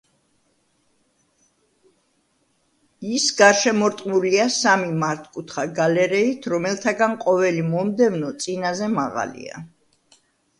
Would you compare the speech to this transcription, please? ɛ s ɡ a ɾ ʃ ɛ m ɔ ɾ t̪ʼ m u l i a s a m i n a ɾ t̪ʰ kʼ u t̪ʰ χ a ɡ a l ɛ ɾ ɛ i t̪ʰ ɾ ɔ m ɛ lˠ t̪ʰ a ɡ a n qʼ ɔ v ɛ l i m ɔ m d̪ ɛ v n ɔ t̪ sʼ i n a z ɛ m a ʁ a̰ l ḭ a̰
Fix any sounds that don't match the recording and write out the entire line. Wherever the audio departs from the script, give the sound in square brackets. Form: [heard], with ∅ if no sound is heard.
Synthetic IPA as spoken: [i] s ɡ a ɾ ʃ ɛ m ɔ ɾ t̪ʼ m u l i a s a m i [m] a ɾ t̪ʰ kʼ u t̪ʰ χ a ɡ a l ɛ ɾ ɛ i t̪ʰ ɾ ɔ m ɛ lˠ t̪ʰ a ɡ a n qʼ ɔ v ɛ l i m ɔ m d̪ ɛ v n ɔ t̪ sʼ i n a z ɛ m a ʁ a̰ l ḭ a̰